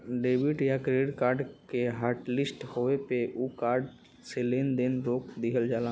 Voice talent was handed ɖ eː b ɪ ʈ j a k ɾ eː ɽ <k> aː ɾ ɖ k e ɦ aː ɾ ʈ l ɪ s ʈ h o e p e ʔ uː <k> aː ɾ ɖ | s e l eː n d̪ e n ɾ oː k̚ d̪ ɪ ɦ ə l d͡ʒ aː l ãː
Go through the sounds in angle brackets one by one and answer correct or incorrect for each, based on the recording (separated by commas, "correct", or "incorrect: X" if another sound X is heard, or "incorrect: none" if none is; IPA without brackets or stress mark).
correct, correct